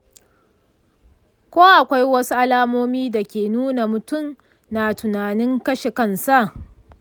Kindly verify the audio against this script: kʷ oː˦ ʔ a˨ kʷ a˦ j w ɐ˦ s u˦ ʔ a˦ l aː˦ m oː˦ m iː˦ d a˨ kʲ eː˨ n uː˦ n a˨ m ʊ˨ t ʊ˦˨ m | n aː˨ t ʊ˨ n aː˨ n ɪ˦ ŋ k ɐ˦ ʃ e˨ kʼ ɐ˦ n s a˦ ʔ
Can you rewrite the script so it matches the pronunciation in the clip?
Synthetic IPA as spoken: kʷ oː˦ ʔ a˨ kʷ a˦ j w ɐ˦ s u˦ ʔ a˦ l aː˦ m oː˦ m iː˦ d a˨ kʲ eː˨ n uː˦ n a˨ m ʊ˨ t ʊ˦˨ m | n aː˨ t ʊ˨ n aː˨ n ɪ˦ ŋ k ɐ˦ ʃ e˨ k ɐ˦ n s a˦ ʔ